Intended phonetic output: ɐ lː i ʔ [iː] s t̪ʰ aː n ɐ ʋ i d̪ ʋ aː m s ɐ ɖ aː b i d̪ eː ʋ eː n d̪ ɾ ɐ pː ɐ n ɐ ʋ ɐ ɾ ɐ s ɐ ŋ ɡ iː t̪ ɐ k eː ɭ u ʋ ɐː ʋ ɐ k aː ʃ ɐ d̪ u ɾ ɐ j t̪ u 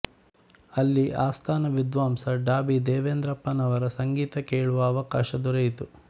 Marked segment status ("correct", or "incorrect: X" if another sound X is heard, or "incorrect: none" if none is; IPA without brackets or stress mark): incorrect: aː